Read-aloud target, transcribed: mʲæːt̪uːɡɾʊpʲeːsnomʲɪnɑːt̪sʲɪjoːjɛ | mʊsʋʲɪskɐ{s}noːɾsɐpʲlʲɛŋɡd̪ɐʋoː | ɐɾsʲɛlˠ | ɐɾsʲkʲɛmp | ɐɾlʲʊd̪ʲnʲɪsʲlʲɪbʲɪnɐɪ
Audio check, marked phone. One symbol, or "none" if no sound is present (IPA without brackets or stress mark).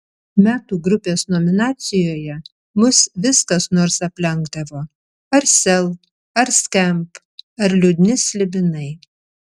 s